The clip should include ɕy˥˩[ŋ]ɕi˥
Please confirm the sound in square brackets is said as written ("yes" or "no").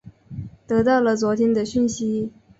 no